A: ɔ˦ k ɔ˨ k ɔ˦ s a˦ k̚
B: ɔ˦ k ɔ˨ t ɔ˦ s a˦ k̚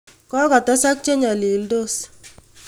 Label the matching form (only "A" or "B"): B